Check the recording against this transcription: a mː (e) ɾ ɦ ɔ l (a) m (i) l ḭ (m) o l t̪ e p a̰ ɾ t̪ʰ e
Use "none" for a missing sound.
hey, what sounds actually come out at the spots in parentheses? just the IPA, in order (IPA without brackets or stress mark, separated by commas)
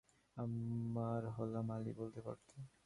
a, a, a, b